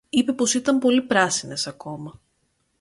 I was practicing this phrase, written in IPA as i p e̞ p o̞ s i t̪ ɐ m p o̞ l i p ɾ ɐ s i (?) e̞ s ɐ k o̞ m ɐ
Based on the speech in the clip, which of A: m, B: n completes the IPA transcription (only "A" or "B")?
B